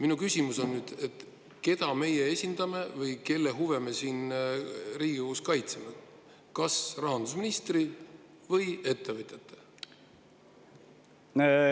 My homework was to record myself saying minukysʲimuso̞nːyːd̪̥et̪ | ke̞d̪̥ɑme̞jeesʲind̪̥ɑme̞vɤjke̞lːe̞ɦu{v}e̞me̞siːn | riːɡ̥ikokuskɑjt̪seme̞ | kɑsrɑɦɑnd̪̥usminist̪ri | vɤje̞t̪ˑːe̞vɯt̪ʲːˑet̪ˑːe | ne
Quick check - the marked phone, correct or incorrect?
correct